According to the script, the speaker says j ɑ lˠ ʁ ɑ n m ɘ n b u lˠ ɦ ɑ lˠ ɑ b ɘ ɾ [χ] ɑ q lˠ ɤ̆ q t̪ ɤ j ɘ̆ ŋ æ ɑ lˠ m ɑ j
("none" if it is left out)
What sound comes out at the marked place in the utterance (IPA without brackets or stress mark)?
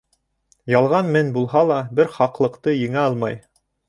χ